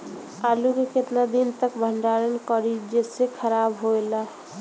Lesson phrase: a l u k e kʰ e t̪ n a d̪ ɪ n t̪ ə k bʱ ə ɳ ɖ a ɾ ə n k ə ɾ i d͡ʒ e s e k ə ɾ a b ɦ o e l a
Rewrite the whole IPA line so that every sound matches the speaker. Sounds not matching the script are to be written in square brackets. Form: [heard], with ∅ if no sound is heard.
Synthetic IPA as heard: a l u k e [k] e t̪ n a d̪ [i] n t̪ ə k bʱ ə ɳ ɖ a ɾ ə n k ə ɾ i d͡ʒ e s e [kʰ] ə ɾ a b ɦ o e l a